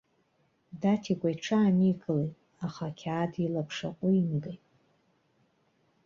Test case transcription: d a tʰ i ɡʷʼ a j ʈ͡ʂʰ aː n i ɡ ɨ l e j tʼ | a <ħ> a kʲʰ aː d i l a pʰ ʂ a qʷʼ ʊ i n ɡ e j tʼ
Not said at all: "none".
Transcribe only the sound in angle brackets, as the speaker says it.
χ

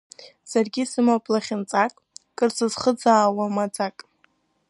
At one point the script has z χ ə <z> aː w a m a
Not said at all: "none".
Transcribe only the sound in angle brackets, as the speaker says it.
d͡z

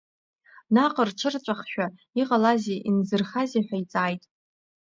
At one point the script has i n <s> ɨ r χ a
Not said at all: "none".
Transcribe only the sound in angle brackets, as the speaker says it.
z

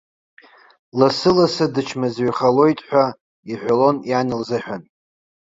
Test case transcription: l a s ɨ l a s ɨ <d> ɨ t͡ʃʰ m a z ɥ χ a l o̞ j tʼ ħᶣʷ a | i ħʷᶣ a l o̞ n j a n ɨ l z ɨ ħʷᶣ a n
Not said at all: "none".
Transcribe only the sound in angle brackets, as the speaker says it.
d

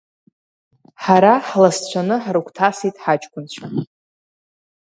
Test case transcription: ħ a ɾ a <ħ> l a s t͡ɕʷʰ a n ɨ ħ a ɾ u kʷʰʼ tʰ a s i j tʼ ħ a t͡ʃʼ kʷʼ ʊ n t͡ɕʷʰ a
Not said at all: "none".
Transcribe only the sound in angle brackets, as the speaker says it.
ħ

